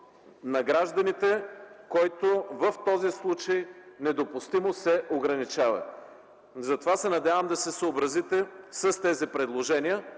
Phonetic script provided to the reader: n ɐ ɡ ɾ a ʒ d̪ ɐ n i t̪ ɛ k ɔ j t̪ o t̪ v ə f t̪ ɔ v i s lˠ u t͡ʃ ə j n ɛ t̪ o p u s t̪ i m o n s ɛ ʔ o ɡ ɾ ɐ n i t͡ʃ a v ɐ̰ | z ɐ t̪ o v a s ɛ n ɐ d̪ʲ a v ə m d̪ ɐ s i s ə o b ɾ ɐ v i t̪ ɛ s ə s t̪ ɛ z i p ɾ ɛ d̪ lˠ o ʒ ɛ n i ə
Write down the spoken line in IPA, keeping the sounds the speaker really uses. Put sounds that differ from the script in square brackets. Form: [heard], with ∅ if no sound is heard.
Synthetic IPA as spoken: n ɐ ɡ ɾ a ʒ d̪ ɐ n i t̪ ɛ k ɔ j t̪ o [∅] v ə f t̪ ɔ [z] i s lˠ u t͡ʃ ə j n ɛ [d̪] o p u s t̪ i m o [∅] s ɛ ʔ o ɡ ɾ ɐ n i t͡ʃ a v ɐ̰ | z ɐ t̪ o v a s ɛ n ɐ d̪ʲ a v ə m d̪ ɐ s [ɛ] s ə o b ɾ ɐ [z] i t̪ ɛ s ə s t̪ ɛ z i p ɾ ɛ d̪ lˠ o ʒ ɛ n i ə